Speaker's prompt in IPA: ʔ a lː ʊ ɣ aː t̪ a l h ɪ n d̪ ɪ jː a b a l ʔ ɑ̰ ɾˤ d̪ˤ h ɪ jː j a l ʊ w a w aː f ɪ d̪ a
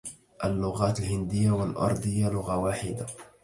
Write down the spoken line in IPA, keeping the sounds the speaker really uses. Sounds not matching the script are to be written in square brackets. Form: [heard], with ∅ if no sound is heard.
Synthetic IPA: ʔ a lː ʊ ɣ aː t̪ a l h ɪ n d̪ ɪ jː a [w] a l ʔ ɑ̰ ɾˤ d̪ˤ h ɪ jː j a l ʊ [ɣ] a w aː [ħ] ɪ d̪ a